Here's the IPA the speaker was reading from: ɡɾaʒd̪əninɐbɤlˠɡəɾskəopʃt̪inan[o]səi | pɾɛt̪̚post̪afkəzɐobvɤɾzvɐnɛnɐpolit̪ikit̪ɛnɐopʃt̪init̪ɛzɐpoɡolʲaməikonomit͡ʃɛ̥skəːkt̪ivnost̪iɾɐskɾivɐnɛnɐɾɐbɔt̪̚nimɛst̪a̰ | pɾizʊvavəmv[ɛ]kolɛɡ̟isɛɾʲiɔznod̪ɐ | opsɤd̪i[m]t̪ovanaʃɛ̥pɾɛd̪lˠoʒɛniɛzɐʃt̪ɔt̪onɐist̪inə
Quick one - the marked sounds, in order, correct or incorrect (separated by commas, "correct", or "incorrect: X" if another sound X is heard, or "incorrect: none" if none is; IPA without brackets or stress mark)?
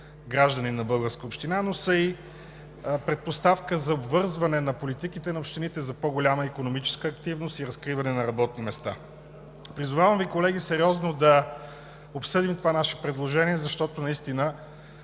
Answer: correct, incorrect: i, correct